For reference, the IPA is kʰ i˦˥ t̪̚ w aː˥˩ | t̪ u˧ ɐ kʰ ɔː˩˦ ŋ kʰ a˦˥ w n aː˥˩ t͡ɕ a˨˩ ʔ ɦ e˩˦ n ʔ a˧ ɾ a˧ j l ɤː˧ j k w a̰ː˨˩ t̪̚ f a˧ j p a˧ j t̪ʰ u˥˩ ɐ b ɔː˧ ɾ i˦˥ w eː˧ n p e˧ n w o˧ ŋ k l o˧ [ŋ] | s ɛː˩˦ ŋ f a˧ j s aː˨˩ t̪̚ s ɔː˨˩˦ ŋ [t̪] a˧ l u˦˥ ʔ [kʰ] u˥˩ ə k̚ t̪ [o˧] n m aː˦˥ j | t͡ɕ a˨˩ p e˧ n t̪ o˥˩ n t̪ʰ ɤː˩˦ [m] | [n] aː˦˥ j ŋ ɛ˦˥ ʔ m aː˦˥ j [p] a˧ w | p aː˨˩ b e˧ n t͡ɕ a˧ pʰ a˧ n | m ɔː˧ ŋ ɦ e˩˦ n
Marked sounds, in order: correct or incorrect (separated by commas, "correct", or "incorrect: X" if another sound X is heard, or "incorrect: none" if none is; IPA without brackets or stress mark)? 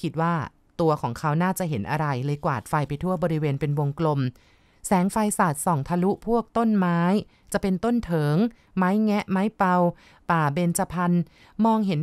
incorrect: m, incorrect: t̪ʰ, incorrect: pʰ, incorrect: o˥˩, incorrect: ŋ, incorrect: m, correct